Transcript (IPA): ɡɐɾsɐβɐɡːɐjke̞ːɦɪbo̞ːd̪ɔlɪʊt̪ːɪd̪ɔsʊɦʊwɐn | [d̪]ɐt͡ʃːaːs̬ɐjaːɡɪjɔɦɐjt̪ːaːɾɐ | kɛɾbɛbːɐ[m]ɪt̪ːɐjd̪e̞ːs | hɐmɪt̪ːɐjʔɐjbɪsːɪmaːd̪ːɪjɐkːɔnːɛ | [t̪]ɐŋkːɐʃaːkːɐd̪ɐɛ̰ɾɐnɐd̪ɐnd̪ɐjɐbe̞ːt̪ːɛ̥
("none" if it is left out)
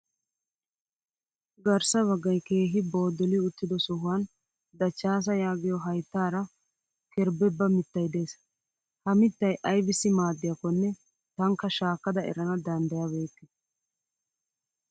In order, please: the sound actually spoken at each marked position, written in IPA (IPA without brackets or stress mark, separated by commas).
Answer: d̪, m, t̪